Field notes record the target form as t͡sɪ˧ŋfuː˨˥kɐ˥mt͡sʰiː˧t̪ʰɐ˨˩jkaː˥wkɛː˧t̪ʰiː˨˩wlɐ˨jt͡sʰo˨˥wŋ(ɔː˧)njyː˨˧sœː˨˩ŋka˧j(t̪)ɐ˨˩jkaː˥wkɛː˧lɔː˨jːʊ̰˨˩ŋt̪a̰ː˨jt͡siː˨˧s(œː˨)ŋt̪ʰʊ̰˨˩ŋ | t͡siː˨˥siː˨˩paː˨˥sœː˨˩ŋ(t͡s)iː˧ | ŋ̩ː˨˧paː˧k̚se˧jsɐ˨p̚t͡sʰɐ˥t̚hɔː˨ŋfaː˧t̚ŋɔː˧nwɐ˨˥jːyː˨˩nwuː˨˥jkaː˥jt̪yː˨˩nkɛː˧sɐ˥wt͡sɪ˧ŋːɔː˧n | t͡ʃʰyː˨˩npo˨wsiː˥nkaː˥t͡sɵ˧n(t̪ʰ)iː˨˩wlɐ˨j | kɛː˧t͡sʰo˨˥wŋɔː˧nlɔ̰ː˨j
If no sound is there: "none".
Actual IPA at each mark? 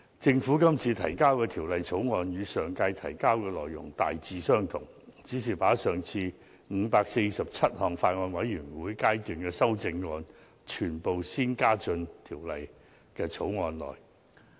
ɔː˧, t̪ʰ, œː˥, t͡sʰ, t̪ʰ

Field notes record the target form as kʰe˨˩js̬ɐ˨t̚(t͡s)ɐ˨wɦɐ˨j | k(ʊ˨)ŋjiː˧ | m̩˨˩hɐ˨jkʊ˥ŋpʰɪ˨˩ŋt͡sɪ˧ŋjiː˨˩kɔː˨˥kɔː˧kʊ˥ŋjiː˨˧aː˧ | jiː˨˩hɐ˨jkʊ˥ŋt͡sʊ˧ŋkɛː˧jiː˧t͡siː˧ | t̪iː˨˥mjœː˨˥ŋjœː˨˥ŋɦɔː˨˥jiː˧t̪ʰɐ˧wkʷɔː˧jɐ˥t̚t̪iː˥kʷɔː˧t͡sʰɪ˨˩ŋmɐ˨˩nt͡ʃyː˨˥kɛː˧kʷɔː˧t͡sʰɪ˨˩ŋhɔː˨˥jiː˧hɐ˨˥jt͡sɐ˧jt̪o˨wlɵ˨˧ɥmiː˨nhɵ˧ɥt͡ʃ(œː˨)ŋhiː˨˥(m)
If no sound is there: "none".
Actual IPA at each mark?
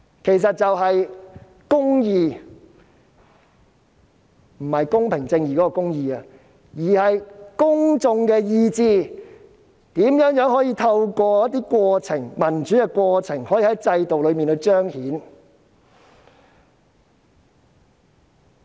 t͡s, ʊ˥, œː˥, n

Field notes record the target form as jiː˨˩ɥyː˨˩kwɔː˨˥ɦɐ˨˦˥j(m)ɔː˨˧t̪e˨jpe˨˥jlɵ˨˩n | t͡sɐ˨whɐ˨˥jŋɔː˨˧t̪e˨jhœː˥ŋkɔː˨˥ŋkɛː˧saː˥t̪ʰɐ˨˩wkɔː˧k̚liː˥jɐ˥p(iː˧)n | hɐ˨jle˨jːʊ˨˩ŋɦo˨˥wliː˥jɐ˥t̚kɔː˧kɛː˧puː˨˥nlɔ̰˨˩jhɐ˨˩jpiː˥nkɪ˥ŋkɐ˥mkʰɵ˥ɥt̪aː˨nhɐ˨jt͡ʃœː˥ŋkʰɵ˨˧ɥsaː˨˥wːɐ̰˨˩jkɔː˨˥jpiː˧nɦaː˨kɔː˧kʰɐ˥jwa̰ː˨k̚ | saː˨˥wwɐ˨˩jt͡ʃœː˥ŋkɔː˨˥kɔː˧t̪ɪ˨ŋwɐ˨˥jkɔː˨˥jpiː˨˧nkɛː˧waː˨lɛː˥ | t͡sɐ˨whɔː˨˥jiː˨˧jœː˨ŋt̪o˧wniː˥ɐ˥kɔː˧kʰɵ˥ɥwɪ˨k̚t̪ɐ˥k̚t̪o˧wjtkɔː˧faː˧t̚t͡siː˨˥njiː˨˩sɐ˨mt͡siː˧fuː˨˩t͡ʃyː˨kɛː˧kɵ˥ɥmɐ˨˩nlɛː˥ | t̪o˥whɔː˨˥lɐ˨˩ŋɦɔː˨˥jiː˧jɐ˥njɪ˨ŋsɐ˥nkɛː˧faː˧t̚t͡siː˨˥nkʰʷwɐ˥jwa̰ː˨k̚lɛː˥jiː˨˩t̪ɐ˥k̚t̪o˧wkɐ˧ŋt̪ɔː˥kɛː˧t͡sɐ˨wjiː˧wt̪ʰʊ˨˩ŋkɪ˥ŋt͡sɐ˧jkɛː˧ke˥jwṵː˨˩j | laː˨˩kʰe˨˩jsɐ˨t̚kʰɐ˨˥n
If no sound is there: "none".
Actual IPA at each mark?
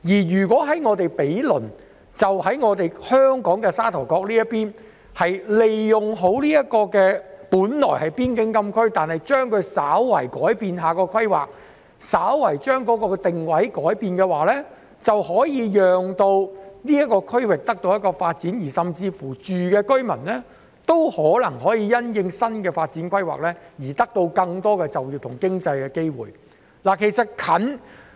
ŋ, iː˥

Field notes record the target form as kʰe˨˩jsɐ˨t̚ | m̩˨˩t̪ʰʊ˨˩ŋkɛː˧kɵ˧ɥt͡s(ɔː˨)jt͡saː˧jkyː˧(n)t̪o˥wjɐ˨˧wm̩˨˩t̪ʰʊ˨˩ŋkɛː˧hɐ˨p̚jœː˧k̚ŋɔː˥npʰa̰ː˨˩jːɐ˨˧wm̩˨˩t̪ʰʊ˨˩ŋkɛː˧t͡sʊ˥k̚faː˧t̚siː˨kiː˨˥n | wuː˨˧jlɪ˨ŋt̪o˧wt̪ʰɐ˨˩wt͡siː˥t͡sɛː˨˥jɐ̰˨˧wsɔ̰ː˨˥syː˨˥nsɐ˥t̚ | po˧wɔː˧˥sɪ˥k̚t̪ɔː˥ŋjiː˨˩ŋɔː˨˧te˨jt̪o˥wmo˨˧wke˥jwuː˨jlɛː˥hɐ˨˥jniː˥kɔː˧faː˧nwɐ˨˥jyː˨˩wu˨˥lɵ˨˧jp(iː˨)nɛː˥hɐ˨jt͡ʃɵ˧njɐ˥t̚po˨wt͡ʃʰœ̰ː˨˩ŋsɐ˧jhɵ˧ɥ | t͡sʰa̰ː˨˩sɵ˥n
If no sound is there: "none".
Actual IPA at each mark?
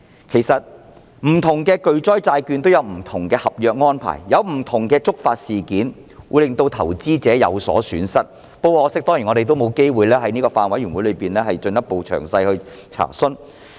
ɔː˥, n, iː˨

